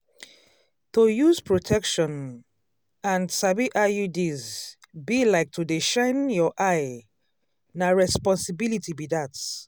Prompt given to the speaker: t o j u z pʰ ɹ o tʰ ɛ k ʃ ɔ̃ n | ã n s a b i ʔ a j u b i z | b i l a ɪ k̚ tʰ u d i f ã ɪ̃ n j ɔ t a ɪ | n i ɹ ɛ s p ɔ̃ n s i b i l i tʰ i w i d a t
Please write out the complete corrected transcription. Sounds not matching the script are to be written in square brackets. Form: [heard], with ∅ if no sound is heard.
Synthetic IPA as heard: t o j u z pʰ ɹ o tʰ ɛ k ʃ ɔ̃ n | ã n s a b i ʔ a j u [d] i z | b i l a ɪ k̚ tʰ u d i [ʃ] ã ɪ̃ n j ɔ [ʔ] a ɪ | n [a] ɹ ɛ s p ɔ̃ n s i b i l i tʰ i [b] i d a t